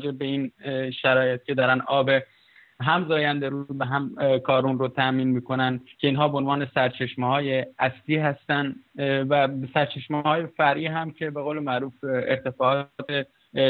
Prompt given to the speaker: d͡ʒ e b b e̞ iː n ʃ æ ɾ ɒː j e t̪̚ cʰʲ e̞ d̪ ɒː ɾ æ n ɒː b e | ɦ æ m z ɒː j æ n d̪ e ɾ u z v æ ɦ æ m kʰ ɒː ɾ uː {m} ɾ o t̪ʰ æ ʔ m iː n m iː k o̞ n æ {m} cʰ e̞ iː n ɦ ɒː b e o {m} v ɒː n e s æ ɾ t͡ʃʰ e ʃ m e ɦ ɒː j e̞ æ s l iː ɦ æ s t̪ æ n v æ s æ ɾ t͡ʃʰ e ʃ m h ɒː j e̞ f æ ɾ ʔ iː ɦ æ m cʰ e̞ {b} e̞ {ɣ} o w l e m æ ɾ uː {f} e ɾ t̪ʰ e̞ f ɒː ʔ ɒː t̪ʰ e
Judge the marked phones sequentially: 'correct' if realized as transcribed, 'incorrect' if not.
incorrect: n, incorrect: n, incorrect: n, correct, correct, correct

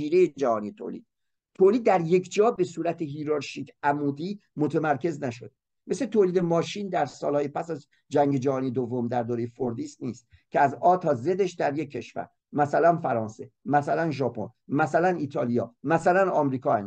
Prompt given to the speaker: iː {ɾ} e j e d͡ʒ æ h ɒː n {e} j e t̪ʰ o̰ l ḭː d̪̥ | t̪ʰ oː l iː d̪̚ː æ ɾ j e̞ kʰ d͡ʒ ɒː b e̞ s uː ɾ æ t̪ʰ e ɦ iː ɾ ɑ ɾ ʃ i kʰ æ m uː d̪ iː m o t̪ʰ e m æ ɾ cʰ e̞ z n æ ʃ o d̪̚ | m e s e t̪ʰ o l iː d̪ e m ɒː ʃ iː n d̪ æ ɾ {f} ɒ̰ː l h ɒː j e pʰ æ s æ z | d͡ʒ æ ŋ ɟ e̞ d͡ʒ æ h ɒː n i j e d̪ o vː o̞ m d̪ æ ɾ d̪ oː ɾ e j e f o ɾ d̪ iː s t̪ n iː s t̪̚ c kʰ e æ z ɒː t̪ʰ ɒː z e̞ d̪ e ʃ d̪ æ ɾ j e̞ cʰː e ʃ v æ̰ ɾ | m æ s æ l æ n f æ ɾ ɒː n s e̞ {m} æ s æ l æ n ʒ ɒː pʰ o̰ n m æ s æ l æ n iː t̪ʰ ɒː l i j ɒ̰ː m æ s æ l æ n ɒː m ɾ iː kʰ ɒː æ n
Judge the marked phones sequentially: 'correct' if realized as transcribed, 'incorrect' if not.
correct, incorrect: i, incorrect: s, correct

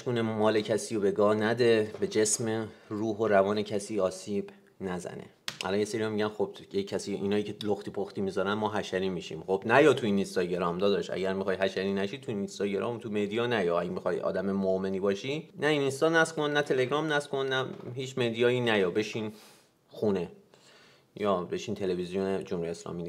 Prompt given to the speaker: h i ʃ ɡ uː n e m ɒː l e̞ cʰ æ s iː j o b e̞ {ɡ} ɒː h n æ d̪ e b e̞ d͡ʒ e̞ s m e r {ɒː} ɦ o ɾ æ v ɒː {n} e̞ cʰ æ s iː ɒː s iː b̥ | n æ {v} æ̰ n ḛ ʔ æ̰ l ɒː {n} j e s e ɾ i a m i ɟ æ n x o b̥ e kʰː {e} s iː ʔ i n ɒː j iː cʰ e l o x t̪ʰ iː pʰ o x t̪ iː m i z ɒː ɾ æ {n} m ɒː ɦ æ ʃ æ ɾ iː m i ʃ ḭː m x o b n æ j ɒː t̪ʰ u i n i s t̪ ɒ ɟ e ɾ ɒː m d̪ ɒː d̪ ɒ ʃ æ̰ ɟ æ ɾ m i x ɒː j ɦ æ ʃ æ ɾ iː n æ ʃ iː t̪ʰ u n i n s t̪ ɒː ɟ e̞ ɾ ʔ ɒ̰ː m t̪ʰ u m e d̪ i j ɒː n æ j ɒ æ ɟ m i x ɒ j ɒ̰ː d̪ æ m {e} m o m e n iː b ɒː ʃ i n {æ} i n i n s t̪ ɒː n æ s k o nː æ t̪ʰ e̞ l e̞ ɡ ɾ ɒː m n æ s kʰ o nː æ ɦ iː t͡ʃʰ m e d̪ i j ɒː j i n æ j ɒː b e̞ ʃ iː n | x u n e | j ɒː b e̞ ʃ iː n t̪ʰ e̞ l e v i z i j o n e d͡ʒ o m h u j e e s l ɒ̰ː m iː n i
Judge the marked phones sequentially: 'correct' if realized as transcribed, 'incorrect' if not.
correct, incorrect: uː, correct, incorrect: z, correct, incorrect: æ, correct, correct, correct

